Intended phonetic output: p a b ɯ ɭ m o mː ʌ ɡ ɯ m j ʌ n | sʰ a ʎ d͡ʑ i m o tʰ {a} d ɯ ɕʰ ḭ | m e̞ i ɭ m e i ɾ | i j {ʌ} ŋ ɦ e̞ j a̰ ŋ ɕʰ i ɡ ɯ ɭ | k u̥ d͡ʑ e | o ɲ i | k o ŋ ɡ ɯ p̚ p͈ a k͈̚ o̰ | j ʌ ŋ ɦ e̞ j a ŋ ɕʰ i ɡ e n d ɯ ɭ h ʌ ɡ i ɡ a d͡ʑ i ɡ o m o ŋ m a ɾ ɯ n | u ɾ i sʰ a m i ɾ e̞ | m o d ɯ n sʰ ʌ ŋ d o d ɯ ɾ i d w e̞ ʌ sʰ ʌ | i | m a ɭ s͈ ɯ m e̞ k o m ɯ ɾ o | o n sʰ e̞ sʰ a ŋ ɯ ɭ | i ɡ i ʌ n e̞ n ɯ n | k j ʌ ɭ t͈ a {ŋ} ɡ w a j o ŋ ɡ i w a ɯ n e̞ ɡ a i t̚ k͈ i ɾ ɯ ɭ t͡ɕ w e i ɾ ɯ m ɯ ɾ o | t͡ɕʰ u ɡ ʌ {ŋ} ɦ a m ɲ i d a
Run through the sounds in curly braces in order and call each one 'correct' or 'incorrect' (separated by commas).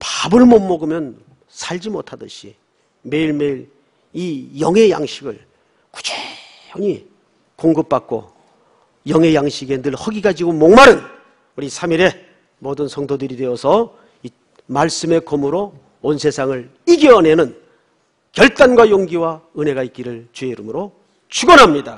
correct, correct, incorrect, incorrect